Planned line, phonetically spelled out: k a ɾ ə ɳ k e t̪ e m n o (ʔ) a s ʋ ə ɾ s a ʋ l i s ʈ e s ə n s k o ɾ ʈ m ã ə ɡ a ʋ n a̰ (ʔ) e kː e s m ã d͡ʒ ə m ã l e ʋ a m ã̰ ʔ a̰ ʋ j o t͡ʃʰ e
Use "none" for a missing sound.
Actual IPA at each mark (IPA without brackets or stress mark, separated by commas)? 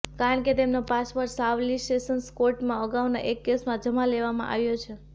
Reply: p, ʔ